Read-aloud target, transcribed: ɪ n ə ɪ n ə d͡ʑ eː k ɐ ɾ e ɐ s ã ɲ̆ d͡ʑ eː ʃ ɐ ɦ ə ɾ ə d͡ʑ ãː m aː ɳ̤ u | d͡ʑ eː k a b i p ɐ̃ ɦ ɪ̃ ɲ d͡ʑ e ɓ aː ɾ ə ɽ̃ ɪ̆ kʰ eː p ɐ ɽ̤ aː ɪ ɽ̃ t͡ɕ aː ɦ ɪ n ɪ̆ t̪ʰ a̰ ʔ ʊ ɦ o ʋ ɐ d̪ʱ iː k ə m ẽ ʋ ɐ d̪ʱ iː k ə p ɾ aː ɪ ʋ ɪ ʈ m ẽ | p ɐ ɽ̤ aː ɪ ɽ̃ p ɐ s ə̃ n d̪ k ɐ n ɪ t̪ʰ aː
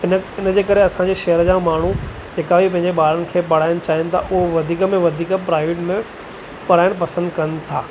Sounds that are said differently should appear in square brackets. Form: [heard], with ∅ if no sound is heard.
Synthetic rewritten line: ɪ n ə ɪ n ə d͡ʑ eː k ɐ ɾ e ɐ s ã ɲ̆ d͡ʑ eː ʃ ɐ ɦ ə ɾ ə d͡ʑ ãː m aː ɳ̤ u | d͡ʑ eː k a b i p ɐ̃ ɦ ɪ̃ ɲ d͡ʑ e ɓ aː ɾ ə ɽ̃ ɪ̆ kʰ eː p ɐ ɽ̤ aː ɪ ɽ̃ t͡ɕ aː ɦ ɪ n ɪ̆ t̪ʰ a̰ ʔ ʊ ɦ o ʋ ɐ d̪ʱ iː k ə m ẽ ʋ ɐ d̪ʱ iː k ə p ɾ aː ɪ ʋ ɪ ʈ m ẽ | p ɐ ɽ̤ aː ɪ ɽ̃ p ɐ s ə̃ n d̪ k ɐ n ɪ t̪ʰ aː

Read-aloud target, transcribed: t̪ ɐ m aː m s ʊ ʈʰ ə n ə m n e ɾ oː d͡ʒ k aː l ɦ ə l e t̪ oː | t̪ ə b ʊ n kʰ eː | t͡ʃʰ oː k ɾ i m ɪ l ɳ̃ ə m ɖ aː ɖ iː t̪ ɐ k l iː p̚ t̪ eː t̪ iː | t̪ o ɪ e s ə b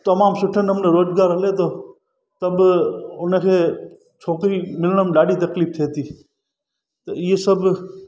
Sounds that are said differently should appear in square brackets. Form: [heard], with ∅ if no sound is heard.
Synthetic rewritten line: t̪ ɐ m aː m s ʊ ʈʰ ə n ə m n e ɾ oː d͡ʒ [ɡ] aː [ɾ] ɦ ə l e t̪ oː | t̪ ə b ʊ n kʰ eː | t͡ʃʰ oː k ɾ i m ɪ l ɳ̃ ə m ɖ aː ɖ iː t̪ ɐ k l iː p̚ [t̪ʰ] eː t̪ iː | t̪ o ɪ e s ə b

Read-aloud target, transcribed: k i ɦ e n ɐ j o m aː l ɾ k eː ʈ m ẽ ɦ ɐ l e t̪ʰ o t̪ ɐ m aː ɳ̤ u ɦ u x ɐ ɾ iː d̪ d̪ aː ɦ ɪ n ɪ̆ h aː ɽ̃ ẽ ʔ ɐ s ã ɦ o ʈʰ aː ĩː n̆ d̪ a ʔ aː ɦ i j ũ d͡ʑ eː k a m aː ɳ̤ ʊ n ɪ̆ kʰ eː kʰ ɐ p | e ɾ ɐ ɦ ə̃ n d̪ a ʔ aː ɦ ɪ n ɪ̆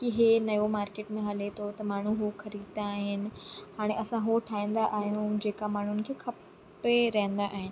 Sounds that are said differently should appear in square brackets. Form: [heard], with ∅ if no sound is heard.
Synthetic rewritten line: k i ɦ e n ɐ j o m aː [∅] ɾ k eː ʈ m ẽ ɦ ɐ l e t̪ʰ o t̪ ɐ m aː ɳ̤ u ɦ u x ɐ ɾ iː d̪ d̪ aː ɦ ɪ n ɪ̆ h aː ɽ̃ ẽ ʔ ɐ s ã ɦ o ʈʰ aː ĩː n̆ d̪ a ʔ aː ɦ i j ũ d͡ʑ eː k a m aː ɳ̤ ʊ n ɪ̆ kʰ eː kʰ ɐ p | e ɾ ɐ ɦ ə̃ n d̪ a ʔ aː ɦ ɪ n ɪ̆

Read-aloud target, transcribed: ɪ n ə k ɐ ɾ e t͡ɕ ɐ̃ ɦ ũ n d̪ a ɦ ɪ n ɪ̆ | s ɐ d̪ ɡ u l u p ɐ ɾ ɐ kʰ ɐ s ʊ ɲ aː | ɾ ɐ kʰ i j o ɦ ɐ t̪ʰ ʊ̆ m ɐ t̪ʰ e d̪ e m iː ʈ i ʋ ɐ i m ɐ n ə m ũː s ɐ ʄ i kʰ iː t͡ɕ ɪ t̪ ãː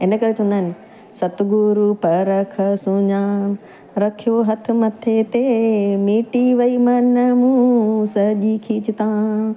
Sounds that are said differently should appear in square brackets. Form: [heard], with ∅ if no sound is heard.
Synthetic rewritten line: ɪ n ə k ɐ ɾ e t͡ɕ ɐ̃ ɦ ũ n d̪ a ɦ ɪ n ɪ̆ | s ɐ [t̪] ɡ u [ɾ] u p ɐ ɾ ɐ kʰ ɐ s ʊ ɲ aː | ɾ ɐ kʰ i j o ɦ ɐ t̪ʰ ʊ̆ m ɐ t̪ʰ e [t̪] e m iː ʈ i ʋ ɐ i m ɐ n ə m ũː s ɐ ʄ i kʰ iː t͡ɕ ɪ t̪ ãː

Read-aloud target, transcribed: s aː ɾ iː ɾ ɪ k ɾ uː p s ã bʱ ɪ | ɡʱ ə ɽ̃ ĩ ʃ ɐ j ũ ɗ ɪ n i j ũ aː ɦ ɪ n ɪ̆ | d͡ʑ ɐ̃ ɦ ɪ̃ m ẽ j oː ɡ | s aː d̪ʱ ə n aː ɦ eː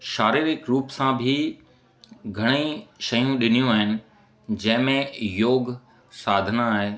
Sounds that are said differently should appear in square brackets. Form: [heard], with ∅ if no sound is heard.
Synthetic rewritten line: [ʃ] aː ɾ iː ɾ ɪ k ɾ uː p s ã bʱ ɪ | ɡʱ [ɐ] ɽ̃ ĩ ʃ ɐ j ũ ɗ ɪ n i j ũ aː ɦ ɪ n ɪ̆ | d͡ʑ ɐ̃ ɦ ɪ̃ m ẽ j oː ɡ | s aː d̪ʱ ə n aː ɦ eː

